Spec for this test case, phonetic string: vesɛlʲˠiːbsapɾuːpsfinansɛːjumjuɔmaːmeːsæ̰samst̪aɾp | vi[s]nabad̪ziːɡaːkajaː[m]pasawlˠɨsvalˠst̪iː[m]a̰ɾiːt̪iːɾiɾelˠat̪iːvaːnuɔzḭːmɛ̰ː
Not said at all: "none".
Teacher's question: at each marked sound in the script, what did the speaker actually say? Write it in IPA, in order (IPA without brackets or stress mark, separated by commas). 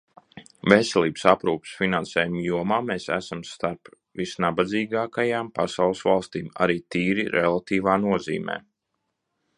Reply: s, m, m